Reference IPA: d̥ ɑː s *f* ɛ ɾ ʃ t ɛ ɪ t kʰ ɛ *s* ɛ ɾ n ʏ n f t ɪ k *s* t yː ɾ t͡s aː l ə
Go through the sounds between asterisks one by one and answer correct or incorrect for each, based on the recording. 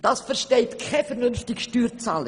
correct, incorrect: f, incorrect: ʃ

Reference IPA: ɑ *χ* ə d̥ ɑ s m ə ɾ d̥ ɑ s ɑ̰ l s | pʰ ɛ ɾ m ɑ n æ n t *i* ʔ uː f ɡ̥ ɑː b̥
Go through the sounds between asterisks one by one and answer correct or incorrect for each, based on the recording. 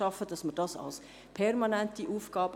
incorrect: f, correct

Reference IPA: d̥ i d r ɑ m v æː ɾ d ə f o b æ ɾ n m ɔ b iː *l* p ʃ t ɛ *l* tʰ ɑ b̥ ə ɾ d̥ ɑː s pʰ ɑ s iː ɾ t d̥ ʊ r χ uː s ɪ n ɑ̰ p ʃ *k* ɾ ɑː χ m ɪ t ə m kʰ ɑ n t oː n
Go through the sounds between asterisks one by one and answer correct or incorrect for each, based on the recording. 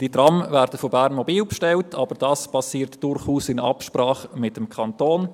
correct, correct, incorrect: p

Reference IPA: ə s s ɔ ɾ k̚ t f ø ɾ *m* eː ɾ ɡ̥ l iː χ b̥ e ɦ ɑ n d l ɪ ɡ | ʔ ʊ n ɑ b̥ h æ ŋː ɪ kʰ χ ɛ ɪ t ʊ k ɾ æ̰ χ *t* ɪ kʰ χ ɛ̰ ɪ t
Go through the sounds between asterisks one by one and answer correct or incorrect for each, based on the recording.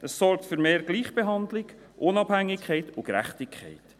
correct, correct

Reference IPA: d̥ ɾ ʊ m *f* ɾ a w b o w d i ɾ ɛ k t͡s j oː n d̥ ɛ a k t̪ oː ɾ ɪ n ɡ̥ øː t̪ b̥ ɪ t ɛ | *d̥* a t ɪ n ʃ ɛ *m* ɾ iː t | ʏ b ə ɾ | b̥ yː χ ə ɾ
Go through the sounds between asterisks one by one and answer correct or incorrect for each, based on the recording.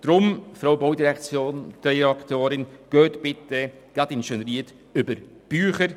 correct, incorrect: ɡ̥, incorrect: n

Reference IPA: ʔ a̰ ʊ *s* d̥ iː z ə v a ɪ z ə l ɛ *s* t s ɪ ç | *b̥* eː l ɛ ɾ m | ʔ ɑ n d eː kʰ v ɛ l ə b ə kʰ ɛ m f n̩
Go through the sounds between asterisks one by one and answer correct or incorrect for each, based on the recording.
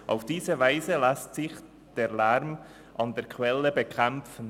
incorrect: f, correct, incorrect: d̥

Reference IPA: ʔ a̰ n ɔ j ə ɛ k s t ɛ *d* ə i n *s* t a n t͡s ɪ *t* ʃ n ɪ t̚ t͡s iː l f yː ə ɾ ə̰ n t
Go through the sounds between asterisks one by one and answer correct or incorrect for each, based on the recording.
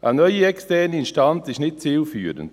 incorrect: n, incorrect: ʃ, incorrect: none

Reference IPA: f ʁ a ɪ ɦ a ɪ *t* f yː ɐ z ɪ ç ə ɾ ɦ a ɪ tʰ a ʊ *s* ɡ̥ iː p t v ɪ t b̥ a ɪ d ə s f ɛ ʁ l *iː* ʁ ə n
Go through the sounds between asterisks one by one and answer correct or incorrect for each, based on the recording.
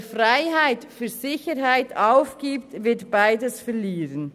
correct, incorrect: f, correct

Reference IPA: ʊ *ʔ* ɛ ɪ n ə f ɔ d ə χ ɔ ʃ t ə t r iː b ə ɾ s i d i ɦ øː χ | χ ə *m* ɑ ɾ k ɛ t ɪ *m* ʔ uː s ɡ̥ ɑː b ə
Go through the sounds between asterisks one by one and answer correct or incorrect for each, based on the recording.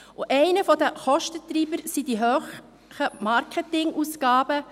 correct, correct, incorrect: ŋ

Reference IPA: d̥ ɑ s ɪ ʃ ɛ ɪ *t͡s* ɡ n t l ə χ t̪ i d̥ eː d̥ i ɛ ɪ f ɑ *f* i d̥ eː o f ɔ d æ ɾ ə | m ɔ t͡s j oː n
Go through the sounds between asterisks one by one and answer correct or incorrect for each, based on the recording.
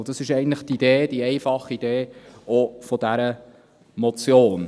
incorrect: none, incorrect: χ

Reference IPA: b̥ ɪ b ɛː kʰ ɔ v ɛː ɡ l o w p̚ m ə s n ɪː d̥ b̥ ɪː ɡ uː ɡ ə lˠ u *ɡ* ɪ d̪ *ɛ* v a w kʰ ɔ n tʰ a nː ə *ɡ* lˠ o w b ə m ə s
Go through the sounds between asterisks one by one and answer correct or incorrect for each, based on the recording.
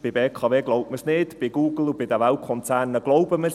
incorrect: b, incorrect: a, correct

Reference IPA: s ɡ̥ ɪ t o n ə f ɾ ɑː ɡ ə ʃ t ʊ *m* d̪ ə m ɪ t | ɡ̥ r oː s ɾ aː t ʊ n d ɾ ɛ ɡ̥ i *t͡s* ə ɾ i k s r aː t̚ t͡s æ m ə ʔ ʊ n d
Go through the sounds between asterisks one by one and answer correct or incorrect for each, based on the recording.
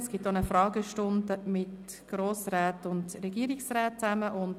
incorrect: n, incorrect: none

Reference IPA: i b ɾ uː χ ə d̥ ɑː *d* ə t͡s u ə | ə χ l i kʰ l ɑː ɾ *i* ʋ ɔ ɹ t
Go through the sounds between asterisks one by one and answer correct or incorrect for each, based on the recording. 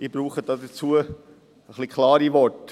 correct, correct

